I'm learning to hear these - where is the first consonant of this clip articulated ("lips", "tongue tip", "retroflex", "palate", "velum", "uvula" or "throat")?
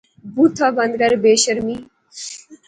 lips